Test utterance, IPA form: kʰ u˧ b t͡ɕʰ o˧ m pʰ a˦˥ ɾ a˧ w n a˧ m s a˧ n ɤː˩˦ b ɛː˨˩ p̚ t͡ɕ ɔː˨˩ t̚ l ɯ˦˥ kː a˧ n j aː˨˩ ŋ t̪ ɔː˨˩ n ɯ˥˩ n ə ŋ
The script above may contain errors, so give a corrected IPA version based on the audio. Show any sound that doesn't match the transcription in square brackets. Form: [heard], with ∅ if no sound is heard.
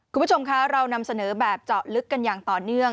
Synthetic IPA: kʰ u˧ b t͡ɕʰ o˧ m [kʰ] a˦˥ ɾ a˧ w n a˧ m s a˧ n ɤː˩˦ b ɛː˨˩ p̚ t͡ɕ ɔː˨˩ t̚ l ɯ˦˥ kː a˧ n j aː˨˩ ŋ t̪ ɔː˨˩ n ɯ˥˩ [∅] ə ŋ